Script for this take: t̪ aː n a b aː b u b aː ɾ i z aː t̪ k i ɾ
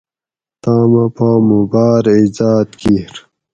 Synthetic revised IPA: t̪ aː m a p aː m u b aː ɾ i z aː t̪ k i ɾ